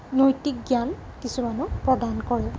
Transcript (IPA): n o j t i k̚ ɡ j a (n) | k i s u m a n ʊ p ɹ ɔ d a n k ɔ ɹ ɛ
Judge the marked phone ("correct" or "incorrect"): correct